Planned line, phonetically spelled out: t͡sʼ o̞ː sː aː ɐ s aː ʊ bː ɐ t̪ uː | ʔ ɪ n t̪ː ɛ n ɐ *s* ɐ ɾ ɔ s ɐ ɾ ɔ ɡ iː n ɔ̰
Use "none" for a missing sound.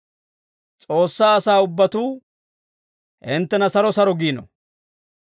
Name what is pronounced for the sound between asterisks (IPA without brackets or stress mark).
s